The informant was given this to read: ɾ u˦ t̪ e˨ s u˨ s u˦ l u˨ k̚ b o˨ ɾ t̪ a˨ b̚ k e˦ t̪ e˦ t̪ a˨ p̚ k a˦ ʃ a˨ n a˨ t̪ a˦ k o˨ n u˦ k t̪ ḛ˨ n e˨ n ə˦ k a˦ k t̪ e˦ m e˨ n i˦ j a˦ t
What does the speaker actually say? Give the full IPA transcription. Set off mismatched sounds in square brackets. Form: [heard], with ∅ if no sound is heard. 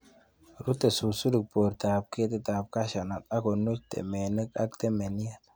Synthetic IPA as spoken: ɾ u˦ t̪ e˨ s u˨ s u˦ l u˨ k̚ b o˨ ɾ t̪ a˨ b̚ k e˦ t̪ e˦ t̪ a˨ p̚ k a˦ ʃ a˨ n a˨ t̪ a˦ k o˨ n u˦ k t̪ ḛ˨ [m] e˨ n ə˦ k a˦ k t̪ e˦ m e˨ n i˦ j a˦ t